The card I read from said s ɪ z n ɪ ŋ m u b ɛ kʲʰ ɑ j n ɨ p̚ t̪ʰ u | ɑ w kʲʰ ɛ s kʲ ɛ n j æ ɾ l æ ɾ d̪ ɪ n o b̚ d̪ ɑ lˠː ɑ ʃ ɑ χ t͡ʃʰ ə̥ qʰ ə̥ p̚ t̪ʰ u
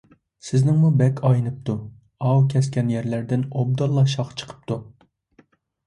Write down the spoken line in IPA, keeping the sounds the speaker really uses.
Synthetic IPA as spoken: s ɪ z n ɪ ŋ m u b ɛ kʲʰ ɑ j n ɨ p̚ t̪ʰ u | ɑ w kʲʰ ɛ s kʲ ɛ n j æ ɾ l æ ɾ d̪ ɪ n o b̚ d̪ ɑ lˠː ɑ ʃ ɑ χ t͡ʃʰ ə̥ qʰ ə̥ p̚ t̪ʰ u

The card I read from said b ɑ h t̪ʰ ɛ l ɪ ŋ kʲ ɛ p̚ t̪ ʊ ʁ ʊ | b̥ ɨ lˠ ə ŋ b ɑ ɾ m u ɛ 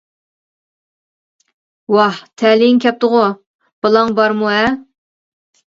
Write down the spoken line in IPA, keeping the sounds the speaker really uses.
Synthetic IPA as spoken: w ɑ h t̪ʰ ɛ l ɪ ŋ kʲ ɛ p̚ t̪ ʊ ʁ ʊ | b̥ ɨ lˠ ɑ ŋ b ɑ ɾ m u ɛ

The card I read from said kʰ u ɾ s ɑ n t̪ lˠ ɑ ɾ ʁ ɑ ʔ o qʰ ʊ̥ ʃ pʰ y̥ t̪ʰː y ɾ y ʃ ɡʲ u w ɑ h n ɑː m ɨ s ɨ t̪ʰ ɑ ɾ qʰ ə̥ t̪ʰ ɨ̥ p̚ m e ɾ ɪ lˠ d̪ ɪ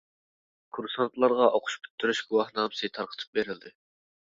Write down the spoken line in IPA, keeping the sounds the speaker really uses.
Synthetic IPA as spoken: kʰ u ɾ s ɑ n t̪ lˠ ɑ ɾ ʁ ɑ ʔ o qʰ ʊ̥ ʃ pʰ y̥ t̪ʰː y ɾ y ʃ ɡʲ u w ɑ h n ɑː m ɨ s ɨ t̪ʰ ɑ ɾ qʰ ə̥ t̪ʰ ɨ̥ p̚ b e ɾ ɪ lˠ d̪ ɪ

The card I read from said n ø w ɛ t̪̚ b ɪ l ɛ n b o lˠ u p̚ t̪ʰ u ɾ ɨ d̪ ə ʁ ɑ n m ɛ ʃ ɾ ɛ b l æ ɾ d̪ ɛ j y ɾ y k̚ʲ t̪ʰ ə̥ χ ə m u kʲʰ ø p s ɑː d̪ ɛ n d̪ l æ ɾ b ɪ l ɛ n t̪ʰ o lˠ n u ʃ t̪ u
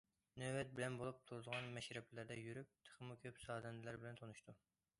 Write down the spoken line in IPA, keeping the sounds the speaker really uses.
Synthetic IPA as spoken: n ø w ɛ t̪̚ b ɪ l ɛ n b o lˠ u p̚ t̪ʰ u ɾ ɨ d̪ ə ʁ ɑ n m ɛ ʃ ɾ ɛ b l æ ɾ d̪ ɛ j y ɾ y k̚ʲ t̪ʰ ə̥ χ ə m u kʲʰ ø p s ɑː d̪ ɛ n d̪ l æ ɾ b ɪ l ɛ n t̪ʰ o n u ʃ t̪ u

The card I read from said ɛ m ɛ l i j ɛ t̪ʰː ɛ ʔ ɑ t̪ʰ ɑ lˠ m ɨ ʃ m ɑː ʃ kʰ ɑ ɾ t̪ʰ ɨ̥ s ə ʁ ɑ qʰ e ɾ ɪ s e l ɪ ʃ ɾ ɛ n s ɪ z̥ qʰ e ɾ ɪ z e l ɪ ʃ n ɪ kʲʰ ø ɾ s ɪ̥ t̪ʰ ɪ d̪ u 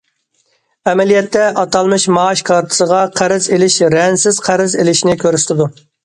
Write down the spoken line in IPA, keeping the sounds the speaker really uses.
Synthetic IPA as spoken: ɛ m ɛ l i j ɛ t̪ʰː ɛ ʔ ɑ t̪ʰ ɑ lˠ m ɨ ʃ m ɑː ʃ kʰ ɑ ɾ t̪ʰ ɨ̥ s ə ʁ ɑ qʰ æ ɾ ɪ z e l ɪ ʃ ɾ ɛ n s ɪ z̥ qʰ æ ɾ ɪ z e l ɪ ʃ n ɪ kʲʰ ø ɾ s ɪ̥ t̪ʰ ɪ d̪ u

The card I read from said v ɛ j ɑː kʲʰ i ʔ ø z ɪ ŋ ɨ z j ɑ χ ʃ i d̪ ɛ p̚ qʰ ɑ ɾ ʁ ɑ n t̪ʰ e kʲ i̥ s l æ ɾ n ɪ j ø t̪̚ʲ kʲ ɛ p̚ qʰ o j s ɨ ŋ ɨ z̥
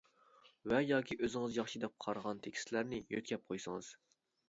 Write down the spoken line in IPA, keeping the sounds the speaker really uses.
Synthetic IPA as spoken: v ɛ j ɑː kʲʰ i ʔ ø z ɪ ŋ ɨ z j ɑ χ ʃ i d̪ ɛ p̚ qʰ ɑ ɾ ʁ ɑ n t̪ʰ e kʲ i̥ s l æ ɾ n ɪ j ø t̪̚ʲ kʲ ɛ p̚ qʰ o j s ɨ ŋ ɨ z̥

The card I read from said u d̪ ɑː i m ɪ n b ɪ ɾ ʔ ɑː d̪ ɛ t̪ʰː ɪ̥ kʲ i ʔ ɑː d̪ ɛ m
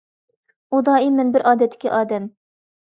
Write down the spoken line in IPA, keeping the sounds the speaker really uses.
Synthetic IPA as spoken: u d̪ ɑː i m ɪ n b ɪ ɾ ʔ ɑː d̪ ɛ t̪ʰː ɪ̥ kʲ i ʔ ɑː d̪ ɛ m

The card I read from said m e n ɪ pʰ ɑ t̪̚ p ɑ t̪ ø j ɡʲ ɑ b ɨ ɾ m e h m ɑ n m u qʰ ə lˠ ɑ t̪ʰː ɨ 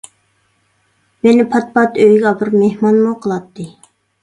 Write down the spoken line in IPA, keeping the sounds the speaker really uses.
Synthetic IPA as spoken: m e n ɪ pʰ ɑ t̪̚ p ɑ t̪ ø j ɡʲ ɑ b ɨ ɾ m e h m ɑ n m u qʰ ə lˠ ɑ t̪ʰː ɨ

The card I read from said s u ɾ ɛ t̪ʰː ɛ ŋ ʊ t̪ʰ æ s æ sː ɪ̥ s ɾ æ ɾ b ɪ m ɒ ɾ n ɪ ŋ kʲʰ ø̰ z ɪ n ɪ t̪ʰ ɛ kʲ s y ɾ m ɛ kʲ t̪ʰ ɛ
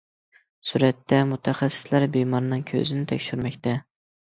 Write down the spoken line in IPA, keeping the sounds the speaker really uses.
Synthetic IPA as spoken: s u ɾ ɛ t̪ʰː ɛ m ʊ t̪ʰ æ χ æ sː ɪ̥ s l æ ɾ b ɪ m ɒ ɾ n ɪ ŋ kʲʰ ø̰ z ɪ n ɪ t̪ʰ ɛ kʲ ʃ y ɾ m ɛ kʲ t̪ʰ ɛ

